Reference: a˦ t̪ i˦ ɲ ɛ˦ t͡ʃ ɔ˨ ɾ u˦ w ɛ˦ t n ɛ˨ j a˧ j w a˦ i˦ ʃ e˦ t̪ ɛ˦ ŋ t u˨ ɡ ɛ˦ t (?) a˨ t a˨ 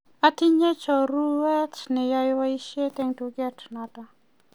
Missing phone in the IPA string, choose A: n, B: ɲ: A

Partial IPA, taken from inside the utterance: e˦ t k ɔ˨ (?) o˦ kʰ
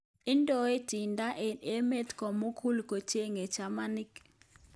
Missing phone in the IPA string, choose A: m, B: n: A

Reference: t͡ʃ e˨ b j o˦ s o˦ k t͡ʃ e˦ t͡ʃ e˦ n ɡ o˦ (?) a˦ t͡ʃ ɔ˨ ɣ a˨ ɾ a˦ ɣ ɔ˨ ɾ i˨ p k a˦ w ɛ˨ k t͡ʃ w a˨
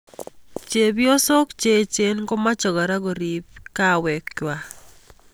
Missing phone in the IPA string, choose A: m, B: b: A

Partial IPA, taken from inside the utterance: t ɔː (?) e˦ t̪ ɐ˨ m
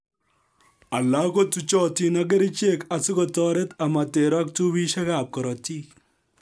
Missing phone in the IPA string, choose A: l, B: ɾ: B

